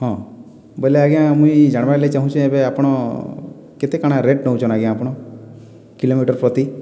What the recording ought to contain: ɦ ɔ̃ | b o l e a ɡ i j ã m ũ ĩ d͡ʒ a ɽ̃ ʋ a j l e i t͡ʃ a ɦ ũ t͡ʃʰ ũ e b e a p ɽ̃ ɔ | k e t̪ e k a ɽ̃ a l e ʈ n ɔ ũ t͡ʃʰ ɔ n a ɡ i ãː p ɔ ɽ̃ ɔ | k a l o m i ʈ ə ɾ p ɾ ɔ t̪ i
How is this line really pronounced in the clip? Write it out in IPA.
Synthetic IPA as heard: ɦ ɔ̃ | b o l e a ɡ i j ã m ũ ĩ d͡ʒ a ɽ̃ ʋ a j l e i t͡ʃ a ɦ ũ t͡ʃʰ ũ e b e a p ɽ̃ ɔ | k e t̪ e k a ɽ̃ a ɾ e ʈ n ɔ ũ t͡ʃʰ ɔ n a ɡ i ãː p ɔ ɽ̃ ɔ | k i l o m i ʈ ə ɾ p ɾ ɔ t̪ i